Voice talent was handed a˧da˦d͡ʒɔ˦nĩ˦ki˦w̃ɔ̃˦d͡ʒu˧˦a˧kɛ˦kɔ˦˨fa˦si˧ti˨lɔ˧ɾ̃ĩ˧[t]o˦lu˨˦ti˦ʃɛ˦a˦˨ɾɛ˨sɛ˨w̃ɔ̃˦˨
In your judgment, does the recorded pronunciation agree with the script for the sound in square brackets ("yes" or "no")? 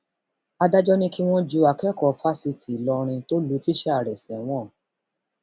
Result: yes